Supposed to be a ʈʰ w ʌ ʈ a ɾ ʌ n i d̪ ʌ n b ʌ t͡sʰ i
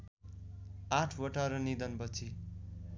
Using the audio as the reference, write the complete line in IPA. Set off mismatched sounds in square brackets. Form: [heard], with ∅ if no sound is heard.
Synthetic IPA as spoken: a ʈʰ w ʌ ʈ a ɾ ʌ n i d̪ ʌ n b ʌ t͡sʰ i